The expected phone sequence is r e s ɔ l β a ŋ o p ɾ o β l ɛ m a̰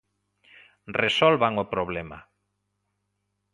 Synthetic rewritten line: r e s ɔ l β a ŋ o p ɾ o β l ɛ m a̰